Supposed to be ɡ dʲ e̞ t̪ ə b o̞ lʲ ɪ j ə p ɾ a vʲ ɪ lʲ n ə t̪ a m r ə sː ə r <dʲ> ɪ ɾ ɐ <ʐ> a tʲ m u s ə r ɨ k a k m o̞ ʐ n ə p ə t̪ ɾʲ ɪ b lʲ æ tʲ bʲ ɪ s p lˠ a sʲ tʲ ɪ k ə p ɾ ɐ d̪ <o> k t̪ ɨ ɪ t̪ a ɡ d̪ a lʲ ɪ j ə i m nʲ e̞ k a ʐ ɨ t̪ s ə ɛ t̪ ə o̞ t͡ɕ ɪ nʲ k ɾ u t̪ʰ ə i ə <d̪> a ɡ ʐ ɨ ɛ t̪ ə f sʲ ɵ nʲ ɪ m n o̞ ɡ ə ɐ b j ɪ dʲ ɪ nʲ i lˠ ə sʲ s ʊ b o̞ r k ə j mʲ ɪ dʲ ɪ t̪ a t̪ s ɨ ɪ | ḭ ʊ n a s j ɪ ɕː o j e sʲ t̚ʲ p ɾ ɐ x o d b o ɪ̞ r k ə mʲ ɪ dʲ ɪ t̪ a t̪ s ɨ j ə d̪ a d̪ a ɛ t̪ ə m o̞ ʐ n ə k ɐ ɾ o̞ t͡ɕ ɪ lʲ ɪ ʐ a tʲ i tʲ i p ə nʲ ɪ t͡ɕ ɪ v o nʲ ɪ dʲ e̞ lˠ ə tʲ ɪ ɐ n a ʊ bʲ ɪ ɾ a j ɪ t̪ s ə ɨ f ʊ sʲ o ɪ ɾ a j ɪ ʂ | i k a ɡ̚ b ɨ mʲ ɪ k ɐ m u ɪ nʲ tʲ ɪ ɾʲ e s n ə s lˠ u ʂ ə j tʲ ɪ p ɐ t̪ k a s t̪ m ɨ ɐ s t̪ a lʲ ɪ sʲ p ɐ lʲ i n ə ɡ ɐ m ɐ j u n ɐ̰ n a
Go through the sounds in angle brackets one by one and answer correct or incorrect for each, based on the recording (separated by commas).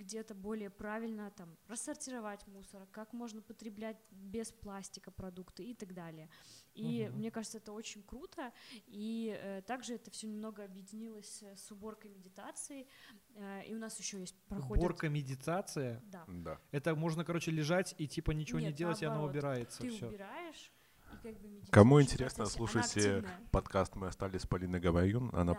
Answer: incorrect, incorrect, incorrect, incorrect